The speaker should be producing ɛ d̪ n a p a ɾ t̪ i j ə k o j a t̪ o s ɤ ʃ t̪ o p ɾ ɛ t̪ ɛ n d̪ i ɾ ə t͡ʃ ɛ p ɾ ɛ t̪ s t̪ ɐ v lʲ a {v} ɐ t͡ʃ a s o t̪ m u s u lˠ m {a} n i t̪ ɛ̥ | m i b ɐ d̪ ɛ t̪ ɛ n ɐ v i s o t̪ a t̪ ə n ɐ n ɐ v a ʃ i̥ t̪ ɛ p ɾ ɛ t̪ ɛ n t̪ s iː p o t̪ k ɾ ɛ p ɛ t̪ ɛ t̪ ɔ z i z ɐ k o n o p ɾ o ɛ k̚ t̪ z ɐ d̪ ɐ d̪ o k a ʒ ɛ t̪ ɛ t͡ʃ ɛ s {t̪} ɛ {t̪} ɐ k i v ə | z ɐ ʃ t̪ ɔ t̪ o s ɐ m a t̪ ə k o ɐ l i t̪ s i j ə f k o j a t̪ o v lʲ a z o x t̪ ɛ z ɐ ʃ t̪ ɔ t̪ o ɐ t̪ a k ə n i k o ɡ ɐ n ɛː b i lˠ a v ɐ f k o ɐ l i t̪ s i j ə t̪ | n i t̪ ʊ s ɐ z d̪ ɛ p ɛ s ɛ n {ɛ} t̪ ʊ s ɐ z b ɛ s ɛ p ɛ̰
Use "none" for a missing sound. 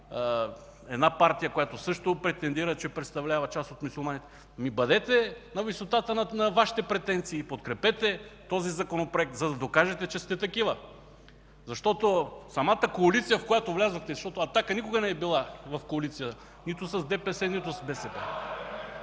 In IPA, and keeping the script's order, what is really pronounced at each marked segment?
v, a, t̪, t̪, i

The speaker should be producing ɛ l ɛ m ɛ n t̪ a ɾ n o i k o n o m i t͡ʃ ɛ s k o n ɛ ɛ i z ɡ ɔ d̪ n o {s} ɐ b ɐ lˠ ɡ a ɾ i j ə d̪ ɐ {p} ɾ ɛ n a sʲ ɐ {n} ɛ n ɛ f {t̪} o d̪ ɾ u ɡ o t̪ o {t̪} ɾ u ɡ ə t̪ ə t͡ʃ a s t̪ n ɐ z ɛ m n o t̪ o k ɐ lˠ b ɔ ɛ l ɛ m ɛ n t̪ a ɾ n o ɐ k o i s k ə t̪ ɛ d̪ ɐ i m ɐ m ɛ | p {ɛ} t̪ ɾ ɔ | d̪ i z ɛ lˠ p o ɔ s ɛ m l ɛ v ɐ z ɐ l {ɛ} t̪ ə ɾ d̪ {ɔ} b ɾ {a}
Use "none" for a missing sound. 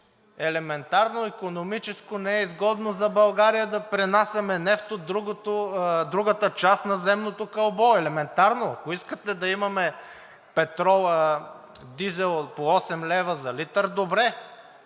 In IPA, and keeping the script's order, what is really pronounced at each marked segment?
z, p, m, t̪, d̪, ɛ, i, o, ɛ

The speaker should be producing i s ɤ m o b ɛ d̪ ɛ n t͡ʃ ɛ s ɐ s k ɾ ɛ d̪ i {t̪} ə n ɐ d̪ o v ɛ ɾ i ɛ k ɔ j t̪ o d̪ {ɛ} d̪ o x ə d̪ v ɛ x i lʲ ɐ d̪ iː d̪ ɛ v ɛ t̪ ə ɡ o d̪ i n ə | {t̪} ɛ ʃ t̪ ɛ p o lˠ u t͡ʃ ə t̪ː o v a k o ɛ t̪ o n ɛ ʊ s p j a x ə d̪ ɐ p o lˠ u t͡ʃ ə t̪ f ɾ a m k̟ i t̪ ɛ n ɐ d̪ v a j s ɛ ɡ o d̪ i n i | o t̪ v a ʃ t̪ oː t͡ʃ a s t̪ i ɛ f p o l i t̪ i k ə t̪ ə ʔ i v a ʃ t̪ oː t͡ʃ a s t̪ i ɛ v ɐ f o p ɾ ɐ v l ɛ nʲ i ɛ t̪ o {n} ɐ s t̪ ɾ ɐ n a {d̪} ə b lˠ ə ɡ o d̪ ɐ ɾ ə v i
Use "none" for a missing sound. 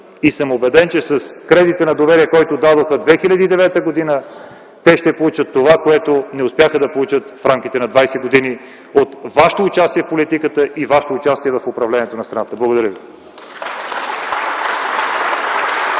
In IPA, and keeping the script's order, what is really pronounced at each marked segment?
t̪, a, t̪, n, t̪

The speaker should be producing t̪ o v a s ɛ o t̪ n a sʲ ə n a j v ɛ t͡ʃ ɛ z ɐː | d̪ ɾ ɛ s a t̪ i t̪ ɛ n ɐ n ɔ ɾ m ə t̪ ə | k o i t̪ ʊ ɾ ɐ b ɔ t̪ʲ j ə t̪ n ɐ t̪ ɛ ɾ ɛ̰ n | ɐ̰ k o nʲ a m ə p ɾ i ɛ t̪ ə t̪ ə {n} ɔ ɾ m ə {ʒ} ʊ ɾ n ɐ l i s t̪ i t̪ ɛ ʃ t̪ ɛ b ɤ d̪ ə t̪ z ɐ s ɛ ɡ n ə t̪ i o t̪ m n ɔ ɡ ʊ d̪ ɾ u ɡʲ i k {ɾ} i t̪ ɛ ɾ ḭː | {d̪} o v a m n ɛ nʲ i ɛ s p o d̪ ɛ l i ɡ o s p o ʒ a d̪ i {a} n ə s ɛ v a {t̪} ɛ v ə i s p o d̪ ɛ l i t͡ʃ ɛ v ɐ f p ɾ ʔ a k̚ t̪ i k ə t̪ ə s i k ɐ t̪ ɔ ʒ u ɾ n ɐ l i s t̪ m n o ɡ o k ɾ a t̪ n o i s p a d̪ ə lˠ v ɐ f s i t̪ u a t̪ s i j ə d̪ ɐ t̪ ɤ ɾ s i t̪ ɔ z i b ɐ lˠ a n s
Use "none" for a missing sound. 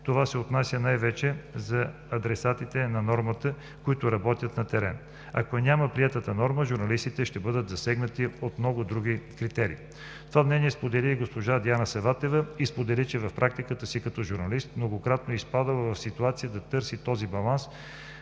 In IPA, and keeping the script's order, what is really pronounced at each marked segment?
n, ʒ, ɾ, t̪, a, t̪

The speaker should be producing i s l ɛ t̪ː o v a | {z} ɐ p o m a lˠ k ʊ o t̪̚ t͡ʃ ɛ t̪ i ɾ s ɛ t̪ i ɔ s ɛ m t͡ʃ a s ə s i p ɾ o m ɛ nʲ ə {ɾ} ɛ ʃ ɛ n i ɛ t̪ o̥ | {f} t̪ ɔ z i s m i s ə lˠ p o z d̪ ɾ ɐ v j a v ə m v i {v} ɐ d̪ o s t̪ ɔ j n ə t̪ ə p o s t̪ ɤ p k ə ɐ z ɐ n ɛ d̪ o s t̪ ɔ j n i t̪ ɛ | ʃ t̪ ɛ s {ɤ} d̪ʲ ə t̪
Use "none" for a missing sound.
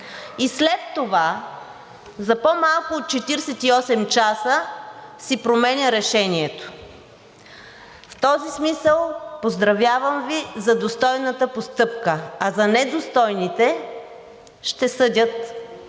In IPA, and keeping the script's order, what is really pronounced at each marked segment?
z, ɾ, f, z, ɤ

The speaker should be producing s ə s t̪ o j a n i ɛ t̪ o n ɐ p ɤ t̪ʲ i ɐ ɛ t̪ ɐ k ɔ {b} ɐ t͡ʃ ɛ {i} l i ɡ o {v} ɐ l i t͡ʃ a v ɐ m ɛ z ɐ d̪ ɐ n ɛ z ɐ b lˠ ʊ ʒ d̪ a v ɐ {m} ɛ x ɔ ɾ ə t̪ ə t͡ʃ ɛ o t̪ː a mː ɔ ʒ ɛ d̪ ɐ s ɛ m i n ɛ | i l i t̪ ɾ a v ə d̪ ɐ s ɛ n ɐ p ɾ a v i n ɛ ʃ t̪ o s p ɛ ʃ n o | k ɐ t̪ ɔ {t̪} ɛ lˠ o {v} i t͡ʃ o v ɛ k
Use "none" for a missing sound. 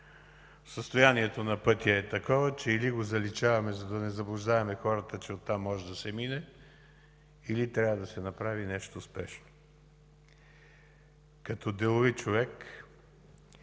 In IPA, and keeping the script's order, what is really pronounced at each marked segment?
v, i, z, m, d̪, v

